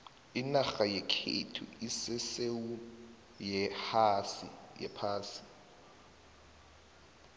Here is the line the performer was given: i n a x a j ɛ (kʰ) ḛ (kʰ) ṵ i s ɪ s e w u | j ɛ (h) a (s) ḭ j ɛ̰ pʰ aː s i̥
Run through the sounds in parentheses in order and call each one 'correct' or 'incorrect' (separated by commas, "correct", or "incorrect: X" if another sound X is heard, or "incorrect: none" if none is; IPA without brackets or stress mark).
correct, incorrect: tʰ, correct, correct